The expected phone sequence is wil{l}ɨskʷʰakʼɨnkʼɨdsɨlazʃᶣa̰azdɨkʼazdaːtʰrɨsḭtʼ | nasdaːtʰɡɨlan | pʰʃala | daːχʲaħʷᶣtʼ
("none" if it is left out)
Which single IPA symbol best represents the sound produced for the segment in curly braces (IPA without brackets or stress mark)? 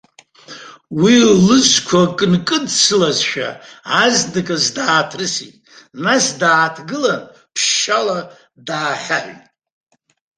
l